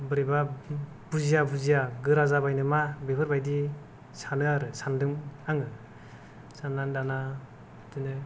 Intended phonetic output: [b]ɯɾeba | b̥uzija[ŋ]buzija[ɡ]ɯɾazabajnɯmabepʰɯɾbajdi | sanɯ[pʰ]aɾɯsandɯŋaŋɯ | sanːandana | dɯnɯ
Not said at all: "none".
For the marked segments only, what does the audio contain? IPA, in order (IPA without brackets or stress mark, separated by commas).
b, none, ɡ, none